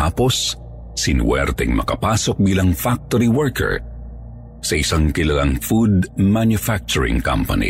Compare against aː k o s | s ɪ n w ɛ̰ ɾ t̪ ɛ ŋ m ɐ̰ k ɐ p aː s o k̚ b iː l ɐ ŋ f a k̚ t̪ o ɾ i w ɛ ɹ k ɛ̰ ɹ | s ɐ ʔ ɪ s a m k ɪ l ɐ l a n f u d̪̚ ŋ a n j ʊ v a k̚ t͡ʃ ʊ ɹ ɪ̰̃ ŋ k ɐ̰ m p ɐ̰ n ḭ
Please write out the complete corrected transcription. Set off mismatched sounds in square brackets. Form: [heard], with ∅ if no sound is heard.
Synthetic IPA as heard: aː [p] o s | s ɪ n w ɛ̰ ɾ t̪ ɛ ŋ m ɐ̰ k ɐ p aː s o k̚ b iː l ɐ ŋ f a k̚ t̪ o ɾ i w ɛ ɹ k ɛ̰ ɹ | s ɐ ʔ ɪ s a [ŋ] k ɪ l ɐ l a [ŋ] f u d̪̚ [m] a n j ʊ [f] a k̚ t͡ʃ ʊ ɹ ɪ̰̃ ŋ k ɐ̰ m p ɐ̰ n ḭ